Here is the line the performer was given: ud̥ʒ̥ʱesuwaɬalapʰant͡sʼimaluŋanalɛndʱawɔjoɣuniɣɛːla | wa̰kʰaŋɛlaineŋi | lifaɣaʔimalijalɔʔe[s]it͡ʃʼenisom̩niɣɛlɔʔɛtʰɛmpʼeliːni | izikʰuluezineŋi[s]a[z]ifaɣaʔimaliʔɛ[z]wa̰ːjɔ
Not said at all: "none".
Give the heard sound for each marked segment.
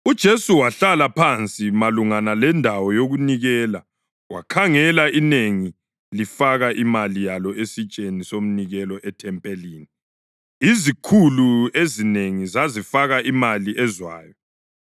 s, z, z, z

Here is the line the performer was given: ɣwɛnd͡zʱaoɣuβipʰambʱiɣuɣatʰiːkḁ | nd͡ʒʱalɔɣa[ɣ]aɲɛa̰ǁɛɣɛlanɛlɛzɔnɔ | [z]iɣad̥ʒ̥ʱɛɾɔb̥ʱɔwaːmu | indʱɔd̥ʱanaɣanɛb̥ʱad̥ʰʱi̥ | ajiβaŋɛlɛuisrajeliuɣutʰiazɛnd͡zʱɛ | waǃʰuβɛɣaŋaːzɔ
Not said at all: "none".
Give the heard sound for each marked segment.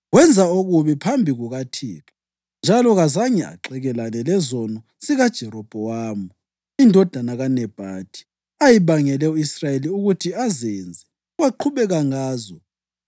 z, s

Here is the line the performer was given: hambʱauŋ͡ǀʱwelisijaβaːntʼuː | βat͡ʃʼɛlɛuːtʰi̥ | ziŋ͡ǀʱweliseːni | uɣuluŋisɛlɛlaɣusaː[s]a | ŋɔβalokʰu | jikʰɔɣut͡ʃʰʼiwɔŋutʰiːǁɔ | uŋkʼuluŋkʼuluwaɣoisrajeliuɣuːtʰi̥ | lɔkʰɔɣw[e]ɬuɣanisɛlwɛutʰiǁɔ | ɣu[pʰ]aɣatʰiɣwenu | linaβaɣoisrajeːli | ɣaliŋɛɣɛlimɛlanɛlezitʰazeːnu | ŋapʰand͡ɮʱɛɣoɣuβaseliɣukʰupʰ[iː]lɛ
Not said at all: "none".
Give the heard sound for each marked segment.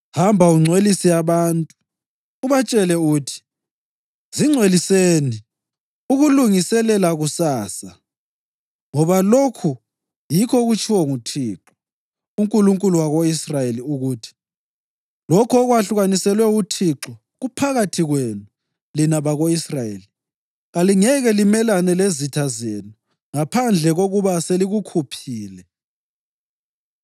s, a, pʰ, iː

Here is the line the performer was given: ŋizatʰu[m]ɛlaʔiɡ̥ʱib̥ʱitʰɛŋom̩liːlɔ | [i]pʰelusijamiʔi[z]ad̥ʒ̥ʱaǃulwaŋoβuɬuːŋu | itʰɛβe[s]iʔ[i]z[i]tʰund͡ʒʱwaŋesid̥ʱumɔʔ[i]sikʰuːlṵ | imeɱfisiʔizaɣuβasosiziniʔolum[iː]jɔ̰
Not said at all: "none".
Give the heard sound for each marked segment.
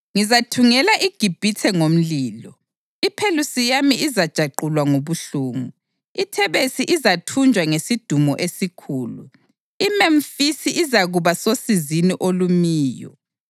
ŋ, i, z, s, i, a, e, iː

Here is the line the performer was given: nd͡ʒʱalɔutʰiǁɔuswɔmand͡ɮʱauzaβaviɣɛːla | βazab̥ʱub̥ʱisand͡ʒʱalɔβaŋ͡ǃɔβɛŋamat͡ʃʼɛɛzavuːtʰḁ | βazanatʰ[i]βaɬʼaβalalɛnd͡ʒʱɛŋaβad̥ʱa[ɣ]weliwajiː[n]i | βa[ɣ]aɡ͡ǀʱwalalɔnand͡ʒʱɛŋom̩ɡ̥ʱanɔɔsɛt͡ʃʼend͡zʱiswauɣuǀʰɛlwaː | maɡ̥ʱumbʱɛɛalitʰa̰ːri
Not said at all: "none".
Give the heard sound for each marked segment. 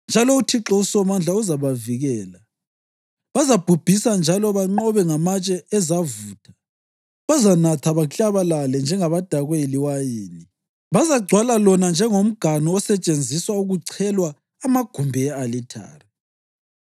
a, ɣ, n, z

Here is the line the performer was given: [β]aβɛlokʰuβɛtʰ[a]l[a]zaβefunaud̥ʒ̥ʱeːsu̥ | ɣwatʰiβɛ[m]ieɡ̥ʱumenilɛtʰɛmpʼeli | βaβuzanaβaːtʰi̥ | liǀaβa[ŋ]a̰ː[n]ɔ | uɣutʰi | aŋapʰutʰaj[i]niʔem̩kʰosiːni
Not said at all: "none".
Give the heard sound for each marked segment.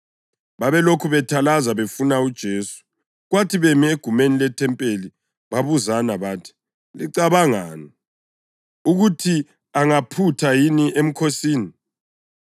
β, a, a, m, ŋ, n, i

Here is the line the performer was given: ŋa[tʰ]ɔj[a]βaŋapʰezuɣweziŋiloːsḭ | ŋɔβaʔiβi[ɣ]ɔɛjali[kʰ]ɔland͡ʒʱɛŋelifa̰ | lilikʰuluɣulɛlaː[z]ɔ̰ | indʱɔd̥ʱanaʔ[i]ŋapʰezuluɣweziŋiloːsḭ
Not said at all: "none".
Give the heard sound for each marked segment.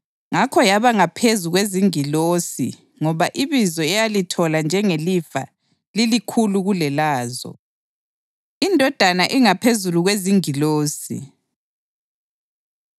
kʰ, a, z, tʰ, z, i

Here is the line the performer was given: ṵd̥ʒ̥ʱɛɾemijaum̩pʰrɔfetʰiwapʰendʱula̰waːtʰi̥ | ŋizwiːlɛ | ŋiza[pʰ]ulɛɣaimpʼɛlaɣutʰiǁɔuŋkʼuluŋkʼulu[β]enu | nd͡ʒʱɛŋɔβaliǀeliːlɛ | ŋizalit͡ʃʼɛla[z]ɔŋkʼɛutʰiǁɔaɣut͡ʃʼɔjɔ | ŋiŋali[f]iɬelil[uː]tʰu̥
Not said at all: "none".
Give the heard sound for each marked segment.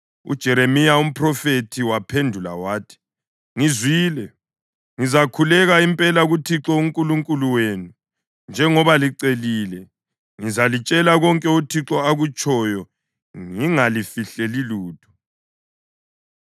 kʰ, w, ɣ, f, uː

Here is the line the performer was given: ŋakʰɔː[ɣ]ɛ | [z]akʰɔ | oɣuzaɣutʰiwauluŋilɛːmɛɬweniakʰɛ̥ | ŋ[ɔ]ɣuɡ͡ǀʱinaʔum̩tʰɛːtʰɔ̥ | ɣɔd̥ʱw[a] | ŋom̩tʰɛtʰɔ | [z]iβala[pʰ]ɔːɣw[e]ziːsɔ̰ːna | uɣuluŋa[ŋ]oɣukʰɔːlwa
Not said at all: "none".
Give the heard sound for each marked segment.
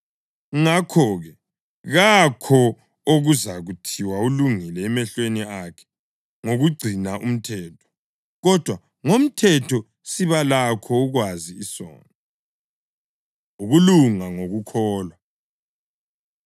ɣ, ɣ, o, a, s, kʰ, a, ŋ

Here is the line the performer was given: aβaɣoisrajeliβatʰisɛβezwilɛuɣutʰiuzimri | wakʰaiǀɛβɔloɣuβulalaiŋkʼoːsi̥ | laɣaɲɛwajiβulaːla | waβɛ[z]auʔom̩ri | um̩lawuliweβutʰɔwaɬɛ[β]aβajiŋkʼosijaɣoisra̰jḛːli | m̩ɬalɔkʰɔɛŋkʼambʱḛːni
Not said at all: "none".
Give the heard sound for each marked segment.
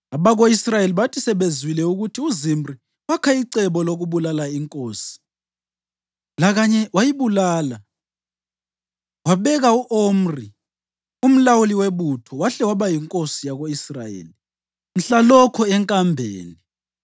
ɣ, w

